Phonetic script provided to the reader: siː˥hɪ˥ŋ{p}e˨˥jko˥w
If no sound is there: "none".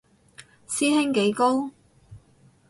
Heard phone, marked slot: k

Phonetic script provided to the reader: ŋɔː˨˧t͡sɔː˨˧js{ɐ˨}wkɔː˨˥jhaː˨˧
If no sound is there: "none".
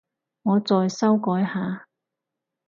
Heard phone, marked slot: ɐ˥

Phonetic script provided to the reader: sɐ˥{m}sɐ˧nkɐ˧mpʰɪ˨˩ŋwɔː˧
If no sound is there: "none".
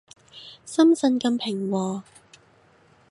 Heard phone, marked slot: m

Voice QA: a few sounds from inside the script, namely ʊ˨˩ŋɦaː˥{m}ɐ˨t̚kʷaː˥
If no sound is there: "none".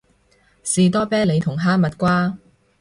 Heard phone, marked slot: m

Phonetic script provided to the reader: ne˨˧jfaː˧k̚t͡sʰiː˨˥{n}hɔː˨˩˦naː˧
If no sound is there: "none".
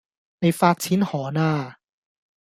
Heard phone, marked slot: n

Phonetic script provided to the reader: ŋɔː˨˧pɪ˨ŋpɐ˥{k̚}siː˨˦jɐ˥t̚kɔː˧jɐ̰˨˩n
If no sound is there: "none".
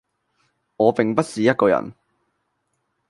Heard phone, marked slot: t̚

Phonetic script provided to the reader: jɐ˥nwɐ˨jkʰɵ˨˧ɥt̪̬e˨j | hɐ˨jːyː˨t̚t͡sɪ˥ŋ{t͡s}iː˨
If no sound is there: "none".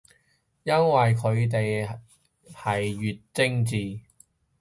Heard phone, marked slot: t͡s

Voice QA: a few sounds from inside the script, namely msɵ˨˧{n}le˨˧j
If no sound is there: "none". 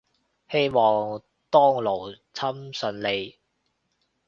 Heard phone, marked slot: n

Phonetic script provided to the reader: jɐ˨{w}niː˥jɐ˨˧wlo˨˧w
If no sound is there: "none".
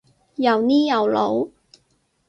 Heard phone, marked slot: w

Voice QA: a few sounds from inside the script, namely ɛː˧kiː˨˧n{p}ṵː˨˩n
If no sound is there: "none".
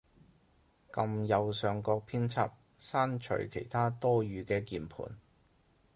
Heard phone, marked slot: pʰ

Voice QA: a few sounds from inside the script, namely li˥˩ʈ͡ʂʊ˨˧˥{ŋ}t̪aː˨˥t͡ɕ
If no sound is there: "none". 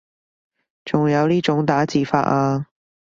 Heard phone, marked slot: ŋ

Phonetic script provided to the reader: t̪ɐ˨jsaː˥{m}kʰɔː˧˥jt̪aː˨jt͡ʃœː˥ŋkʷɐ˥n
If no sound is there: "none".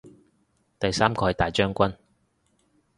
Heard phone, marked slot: m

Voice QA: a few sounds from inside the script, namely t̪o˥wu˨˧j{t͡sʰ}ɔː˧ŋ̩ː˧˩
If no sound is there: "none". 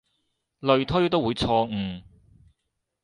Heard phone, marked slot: t͡sʰ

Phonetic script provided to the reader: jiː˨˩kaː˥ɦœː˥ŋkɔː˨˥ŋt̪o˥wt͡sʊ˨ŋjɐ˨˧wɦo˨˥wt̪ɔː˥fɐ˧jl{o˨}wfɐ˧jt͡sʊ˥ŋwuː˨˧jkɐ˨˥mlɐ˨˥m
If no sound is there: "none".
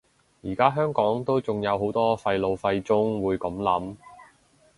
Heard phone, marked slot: o˨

